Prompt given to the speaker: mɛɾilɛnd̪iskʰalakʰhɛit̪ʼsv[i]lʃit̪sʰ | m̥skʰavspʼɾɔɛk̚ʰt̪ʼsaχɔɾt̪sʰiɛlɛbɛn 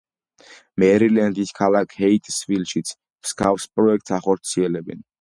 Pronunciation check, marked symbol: correct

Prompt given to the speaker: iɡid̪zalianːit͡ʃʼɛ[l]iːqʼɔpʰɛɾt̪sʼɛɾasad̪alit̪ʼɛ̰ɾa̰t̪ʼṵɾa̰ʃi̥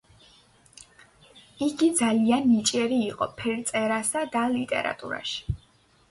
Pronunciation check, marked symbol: incorrect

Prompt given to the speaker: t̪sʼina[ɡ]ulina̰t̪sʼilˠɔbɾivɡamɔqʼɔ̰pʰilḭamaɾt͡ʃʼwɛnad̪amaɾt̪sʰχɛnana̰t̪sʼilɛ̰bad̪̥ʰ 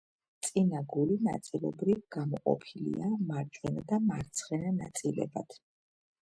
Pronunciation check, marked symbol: correct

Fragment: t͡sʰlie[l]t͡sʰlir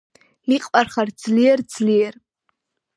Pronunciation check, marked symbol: incorrect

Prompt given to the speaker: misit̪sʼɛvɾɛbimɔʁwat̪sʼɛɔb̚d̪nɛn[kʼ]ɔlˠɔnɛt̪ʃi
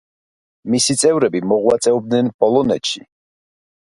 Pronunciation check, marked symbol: incorrect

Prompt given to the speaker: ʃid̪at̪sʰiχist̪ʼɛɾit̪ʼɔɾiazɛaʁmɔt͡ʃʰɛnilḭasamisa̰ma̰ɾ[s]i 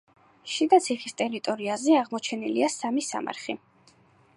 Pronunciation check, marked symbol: incorrect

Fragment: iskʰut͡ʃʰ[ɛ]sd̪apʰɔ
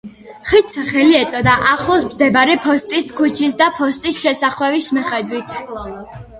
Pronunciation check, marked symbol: incorrect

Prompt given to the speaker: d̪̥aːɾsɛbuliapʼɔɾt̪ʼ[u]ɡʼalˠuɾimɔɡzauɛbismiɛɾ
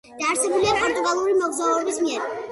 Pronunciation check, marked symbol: correct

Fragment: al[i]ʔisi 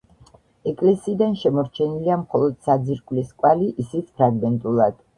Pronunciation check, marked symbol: correct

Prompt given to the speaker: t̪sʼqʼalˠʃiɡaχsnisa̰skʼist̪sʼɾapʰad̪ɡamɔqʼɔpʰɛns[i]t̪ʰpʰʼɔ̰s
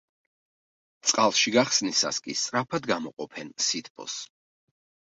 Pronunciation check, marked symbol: correct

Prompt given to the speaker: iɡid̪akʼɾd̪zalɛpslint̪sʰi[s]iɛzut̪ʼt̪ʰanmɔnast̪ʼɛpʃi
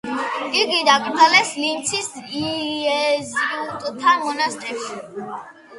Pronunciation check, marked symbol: correct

